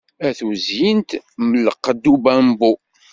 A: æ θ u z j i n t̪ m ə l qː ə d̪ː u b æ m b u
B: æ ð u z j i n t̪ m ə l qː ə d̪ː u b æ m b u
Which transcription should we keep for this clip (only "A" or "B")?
A